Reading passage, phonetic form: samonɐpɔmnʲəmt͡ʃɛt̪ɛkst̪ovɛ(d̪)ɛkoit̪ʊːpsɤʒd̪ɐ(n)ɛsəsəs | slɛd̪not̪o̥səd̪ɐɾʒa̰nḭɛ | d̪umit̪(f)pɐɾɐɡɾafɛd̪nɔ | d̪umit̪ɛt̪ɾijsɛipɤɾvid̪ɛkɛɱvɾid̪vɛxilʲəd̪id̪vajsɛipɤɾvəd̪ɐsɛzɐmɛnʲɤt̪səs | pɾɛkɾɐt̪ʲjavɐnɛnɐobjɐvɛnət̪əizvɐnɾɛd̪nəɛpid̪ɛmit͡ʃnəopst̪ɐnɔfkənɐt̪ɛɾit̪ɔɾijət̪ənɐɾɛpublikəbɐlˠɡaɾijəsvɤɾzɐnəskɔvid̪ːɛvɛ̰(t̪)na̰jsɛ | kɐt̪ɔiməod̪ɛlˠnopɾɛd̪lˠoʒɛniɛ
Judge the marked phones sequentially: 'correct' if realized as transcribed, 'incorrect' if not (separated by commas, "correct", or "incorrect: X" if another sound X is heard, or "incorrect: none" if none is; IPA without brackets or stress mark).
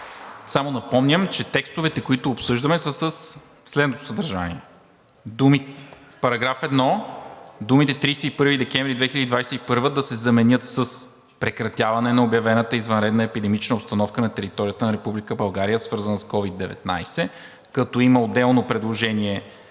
incorrect: t̪, incorrect: m, correct, correct